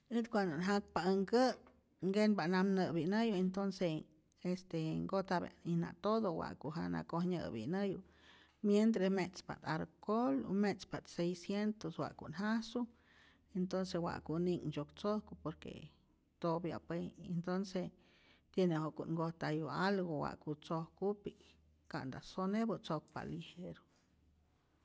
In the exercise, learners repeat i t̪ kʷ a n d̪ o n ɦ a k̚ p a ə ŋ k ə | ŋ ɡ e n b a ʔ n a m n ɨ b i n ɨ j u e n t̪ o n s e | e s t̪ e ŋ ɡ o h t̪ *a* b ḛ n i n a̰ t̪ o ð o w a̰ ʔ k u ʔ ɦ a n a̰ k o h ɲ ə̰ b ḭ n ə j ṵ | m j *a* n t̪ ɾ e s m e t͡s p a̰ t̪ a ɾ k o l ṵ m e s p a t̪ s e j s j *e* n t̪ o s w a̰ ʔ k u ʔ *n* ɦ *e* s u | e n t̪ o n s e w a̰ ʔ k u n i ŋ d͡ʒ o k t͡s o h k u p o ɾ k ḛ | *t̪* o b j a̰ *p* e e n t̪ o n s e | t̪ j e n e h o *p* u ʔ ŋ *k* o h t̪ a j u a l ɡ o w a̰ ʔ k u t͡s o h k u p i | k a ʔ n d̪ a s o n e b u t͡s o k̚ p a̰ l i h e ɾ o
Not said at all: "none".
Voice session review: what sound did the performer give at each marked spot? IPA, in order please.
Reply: a, e, e, n, a, t̪, p, k, ɡ

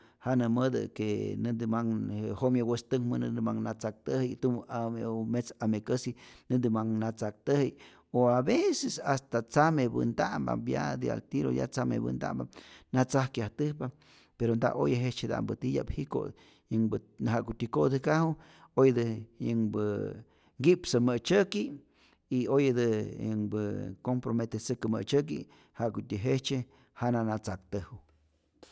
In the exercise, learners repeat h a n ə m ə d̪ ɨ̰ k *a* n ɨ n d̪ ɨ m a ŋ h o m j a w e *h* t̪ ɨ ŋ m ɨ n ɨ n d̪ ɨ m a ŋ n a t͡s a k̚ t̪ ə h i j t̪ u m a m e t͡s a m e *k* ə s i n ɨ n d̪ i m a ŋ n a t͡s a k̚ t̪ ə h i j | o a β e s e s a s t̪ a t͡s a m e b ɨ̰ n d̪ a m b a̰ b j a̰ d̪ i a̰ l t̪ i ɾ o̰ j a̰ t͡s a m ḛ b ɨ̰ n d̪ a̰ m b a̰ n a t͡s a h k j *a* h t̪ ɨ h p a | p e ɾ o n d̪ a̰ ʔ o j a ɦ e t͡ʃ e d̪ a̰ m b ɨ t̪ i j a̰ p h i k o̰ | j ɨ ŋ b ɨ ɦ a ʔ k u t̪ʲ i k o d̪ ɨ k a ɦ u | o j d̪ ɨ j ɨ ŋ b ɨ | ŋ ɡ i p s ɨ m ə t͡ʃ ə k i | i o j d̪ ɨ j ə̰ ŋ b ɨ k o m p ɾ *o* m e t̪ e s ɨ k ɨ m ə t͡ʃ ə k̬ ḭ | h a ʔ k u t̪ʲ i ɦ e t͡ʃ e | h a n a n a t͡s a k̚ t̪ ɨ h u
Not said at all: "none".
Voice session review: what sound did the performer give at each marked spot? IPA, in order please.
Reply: e, s, k, a, o

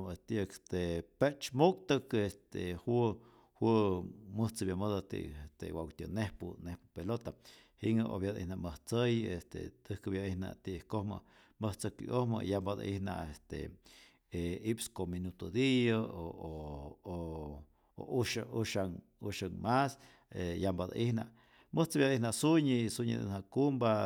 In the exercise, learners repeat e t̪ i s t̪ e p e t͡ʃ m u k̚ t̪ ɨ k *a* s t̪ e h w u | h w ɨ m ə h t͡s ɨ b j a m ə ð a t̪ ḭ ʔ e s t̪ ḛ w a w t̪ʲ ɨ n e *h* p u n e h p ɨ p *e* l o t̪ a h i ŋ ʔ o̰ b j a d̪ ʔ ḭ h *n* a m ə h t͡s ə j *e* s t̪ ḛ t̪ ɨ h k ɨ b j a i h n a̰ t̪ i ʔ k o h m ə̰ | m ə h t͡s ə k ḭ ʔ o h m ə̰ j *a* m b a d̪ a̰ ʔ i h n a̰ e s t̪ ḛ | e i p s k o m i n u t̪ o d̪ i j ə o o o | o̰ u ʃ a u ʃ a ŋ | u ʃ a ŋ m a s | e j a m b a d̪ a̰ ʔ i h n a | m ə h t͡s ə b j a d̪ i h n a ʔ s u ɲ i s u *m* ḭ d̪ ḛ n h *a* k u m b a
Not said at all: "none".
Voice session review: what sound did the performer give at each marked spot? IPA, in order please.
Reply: e, h, e, n, e, a, ɲ, a

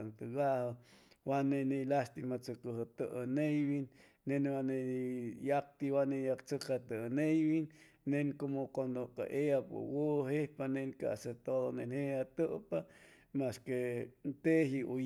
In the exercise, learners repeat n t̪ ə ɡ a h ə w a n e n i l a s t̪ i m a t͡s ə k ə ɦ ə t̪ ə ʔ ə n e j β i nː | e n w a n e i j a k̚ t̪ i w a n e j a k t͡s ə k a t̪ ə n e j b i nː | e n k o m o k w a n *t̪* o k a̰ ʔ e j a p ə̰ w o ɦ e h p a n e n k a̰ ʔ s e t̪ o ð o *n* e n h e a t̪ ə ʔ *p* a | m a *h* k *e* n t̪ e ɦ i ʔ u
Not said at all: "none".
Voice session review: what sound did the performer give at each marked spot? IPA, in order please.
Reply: d̪, n, p, s, e

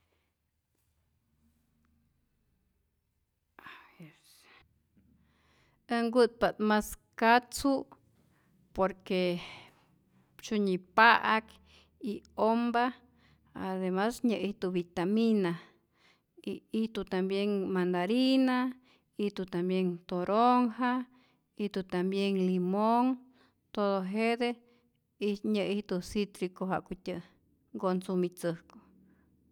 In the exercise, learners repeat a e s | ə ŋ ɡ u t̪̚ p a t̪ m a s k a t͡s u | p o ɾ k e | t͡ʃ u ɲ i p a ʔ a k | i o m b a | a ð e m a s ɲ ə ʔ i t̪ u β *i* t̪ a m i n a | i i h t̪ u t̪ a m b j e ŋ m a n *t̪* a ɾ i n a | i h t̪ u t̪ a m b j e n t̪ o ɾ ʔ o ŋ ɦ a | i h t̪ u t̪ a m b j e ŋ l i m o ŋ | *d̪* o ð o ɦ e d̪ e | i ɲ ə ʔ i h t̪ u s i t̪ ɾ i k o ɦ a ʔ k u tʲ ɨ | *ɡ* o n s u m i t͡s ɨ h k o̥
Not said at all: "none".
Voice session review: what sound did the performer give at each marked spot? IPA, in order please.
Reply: i, d̪, t̪, ɡ

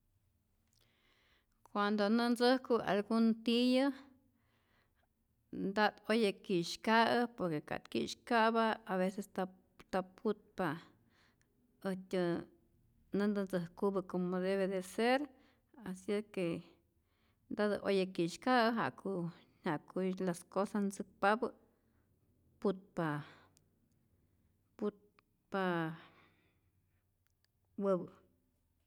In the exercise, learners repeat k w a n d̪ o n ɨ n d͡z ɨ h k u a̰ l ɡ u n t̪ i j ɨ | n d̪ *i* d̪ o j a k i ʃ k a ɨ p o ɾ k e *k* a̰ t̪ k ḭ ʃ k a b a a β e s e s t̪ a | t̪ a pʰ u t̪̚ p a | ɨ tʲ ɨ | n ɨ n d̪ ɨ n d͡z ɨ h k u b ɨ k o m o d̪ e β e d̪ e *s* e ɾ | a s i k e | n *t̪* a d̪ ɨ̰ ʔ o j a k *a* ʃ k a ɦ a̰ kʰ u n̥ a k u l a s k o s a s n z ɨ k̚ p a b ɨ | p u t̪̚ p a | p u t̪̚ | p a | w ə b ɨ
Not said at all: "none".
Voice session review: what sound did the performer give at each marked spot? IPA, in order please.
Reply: a, k, s, d̪, i

